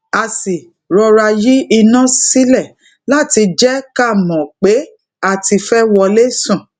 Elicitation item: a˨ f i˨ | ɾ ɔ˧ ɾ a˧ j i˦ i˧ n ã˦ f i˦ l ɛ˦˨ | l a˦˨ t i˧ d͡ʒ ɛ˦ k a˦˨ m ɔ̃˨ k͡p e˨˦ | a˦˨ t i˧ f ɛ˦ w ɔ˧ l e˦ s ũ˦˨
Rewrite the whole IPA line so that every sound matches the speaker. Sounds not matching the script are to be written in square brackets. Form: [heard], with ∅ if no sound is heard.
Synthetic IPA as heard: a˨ [s] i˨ | ɾ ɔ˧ ɾ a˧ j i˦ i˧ n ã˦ [s] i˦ l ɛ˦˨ | l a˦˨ t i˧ d͡ʒ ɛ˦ k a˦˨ m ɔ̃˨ k͡p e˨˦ | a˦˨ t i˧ f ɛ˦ w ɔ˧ l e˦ s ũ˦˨